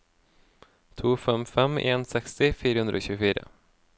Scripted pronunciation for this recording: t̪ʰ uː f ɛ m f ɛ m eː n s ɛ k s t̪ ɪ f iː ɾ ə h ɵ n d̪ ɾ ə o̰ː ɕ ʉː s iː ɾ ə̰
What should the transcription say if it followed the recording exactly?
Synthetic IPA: t̪ʰ uː f ɛ m f ɛ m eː n s ɛ k s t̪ ɪ f iː ɾ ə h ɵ n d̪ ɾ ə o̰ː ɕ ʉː f iː ɾ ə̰